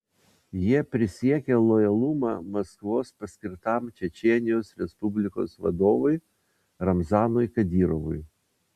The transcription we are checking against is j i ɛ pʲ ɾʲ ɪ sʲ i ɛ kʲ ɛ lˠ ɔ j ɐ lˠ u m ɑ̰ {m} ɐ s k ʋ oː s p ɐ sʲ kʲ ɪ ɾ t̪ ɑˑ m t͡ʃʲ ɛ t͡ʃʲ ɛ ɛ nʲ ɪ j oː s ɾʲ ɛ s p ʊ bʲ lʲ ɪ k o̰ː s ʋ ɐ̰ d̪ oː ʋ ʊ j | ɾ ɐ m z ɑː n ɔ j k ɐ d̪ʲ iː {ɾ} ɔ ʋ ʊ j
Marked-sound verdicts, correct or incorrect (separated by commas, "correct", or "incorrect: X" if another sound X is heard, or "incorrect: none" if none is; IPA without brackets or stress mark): correct, correct